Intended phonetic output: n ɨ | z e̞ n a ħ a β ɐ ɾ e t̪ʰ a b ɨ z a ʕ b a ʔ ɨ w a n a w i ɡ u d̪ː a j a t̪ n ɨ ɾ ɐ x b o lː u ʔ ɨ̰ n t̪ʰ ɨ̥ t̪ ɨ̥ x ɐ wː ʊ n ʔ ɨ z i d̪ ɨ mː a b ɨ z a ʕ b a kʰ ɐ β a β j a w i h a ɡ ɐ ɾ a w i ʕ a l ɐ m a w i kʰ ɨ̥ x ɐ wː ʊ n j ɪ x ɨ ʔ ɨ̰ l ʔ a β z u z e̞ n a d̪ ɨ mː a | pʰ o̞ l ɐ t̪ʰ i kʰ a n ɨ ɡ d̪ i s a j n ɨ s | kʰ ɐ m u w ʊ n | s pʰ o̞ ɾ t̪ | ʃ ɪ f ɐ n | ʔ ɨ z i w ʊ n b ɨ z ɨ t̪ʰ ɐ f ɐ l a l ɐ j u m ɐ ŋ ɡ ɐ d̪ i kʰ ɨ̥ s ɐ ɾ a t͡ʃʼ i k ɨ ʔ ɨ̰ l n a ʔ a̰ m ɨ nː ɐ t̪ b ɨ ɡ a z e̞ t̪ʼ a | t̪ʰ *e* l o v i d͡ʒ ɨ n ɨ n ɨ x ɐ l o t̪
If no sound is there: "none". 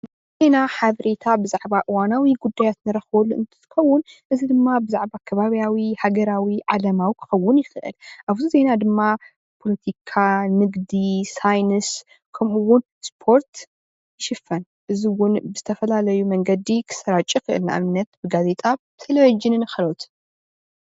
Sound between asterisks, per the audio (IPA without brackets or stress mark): e